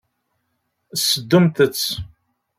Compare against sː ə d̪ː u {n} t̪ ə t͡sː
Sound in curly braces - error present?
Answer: yes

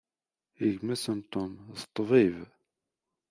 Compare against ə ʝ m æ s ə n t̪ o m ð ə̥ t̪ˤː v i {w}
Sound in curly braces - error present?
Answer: yes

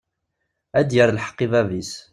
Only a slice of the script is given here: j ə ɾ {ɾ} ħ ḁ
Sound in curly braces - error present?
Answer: yes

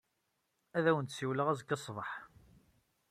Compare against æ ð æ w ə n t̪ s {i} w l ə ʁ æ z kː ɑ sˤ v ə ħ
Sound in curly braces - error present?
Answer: no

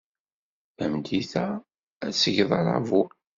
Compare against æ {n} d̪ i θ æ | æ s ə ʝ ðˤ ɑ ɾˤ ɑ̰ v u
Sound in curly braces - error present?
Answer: yes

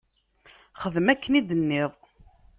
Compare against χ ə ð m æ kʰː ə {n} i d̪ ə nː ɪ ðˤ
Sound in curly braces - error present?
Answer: no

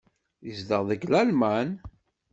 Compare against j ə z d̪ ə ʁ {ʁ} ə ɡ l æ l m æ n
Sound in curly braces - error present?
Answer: yes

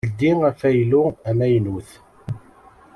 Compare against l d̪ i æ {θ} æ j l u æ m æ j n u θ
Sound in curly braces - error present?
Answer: yes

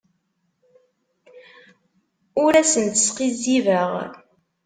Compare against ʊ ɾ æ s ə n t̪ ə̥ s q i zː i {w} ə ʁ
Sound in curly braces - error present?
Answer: yes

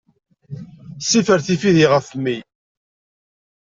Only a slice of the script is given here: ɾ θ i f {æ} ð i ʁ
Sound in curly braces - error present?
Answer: yes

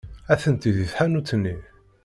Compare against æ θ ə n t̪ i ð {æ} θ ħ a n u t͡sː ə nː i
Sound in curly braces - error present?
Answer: yes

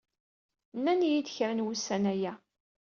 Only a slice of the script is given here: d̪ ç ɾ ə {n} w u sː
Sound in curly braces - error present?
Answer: no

